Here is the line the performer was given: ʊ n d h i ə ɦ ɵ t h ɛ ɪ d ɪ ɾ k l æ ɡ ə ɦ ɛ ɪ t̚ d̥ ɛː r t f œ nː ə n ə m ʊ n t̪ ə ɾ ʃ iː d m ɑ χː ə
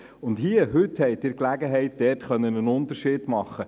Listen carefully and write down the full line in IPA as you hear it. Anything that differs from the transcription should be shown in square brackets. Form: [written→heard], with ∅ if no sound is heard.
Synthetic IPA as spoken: ʊ n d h i ə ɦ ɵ t h ɛ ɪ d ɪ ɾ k l æ ɡ ə ɦ ɛ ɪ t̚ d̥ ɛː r t [f→χ] œ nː ə n ə [m→n] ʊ n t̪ ə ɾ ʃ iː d m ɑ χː ə